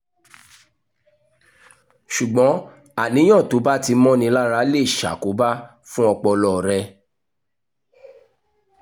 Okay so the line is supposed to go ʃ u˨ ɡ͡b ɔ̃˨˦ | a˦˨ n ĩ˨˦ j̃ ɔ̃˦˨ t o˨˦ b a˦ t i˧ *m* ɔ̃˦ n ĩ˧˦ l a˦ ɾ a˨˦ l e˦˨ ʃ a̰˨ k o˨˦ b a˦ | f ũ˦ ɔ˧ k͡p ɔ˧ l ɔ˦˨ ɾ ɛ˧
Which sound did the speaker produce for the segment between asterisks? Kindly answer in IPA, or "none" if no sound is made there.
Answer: m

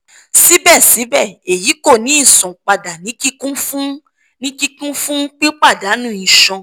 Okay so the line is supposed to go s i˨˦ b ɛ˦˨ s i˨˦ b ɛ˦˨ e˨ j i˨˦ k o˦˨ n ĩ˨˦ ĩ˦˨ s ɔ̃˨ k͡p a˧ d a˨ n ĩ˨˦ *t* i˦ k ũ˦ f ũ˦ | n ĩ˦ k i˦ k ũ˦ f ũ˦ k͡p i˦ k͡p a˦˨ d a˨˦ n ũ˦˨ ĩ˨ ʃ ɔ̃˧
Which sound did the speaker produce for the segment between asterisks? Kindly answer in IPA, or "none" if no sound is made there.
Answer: k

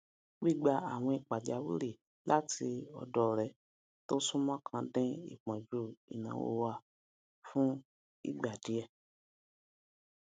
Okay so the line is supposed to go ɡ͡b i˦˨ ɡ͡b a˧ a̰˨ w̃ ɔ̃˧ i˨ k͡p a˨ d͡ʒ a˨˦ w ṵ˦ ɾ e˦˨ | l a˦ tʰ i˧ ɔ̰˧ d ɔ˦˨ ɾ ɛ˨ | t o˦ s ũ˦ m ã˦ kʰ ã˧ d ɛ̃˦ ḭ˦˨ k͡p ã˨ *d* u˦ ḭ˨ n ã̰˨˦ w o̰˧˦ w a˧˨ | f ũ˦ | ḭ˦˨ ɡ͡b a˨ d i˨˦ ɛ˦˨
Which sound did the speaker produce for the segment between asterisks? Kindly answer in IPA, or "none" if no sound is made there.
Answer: d͡ʒ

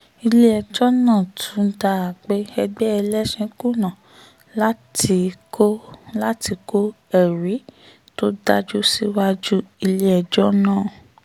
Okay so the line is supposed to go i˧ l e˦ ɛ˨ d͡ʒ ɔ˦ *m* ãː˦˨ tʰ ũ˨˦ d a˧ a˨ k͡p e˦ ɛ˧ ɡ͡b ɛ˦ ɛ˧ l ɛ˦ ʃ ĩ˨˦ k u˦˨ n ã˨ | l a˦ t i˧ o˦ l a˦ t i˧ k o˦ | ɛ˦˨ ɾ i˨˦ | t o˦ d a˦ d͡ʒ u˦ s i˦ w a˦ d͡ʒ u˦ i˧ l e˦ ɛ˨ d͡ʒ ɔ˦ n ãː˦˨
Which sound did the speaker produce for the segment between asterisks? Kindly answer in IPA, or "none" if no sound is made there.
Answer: n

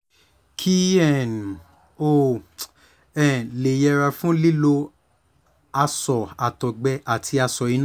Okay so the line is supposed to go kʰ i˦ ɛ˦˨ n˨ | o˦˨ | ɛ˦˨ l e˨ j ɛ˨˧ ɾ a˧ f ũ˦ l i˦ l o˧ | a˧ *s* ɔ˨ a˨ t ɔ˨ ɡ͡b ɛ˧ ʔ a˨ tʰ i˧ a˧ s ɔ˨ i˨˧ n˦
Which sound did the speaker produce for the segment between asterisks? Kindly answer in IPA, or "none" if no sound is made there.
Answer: s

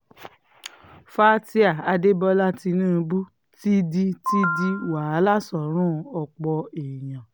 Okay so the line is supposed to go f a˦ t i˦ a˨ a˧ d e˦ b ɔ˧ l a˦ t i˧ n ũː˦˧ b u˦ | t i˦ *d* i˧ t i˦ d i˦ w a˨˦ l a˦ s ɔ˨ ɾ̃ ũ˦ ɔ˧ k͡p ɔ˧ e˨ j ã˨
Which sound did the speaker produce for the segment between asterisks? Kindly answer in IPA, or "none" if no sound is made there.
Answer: d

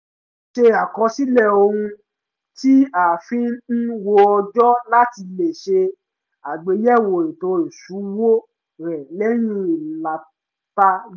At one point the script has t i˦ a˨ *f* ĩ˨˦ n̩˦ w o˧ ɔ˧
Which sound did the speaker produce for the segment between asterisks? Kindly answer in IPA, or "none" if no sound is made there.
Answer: f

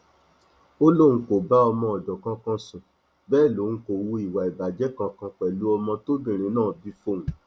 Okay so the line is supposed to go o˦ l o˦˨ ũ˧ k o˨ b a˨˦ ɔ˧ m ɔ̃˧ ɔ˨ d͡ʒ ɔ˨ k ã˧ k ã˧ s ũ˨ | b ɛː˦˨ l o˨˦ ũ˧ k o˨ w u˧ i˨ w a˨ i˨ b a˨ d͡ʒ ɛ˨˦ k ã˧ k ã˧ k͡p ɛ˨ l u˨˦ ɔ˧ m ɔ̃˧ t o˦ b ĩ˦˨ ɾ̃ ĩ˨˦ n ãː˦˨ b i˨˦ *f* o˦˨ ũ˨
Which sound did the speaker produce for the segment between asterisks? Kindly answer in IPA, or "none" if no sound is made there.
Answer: f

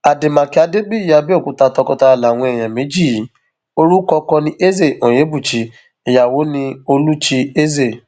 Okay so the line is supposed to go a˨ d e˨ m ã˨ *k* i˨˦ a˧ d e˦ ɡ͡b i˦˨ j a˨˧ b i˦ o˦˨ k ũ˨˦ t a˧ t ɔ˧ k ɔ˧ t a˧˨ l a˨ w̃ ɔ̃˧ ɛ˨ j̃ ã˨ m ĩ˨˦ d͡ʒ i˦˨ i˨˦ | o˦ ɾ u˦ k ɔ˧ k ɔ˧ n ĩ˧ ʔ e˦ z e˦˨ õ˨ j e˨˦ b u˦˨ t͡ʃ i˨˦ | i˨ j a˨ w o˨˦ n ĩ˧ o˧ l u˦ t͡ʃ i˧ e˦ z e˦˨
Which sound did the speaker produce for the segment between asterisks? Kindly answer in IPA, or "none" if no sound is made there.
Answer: k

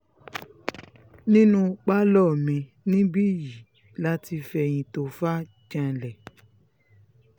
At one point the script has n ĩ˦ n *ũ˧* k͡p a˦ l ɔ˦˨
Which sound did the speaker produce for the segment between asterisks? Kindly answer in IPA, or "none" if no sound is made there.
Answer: ũ˧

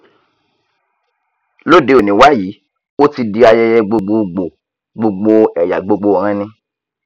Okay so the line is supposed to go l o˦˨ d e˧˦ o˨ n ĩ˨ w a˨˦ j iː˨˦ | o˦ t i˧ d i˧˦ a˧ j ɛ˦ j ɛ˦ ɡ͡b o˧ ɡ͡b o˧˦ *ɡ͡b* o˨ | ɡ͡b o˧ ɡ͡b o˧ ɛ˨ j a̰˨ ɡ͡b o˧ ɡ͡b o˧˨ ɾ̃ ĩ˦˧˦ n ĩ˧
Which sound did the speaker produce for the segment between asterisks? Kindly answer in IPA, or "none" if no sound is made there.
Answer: ɡ͡b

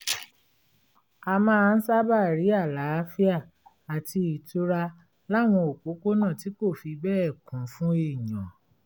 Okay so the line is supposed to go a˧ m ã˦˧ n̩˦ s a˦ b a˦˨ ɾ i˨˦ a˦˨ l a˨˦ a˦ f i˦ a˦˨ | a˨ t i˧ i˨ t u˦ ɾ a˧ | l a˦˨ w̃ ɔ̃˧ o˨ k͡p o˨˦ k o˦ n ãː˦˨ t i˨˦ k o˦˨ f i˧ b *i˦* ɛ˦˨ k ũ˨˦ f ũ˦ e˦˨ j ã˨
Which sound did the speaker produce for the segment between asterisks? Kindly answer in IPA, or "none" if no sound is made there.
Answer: ɛ˦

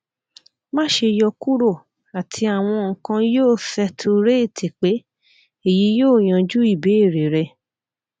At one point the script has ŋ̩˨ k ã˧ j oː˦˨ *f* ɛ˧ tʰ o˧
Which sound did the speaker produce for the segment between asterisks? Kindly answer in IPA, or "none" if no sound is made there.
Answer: f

